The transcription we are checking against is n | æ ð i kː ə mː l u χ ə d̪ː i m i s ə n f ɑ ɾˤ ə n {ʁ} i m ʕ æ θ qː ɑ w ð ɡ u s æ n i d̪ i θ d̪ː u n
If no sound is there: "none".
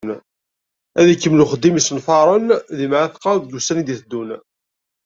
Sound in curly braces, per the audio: ð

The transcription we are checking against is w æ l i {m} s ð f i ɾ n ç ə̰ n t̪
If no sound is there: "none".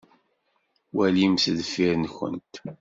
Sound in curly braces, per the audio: m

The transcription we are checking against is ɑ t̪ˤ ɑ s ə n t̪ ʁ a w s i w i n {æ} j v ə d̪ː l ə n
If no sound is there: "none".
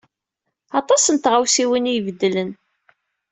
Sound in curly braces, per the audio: i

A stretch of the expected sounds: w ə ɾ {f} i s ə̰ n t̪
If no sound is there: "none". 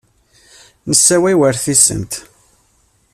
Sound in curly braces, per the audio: θ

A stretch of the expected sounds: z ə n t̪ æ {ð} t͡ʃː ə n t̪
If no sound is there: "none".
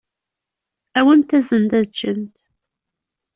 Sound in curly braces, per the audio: ð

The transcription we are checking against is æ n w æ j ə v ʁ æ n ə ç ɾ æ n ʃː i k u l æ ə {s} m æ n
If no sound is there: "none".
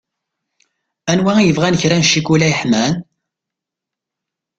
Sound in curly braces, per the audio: ħ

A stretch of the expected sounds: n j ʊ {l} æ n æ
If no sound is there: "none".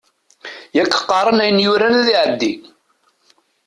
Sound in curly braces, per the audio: ɾ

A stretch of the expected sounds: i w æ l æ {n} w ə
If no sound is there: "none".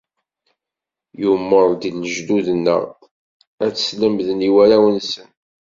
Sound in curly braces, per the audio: none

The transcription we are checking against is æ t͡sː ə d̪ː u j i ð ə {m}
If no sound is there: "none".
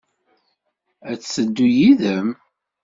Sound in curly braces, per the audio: m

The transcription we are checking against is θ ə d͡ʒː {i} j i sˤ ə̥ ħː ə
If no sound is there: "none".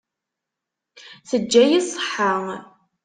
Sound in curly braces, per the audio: æ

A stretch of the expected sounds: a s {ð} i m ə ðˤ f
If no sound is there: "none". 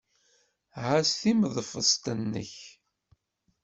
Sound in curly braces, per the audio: θ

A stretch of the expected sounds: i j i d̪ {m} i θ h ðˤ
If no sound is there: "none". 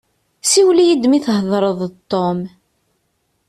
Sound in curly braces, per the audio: m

